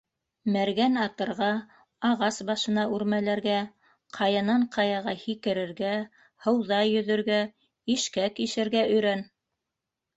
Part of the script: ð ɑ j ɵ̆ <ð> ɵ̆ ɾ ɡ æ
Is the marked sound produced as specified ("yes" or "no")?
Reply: yes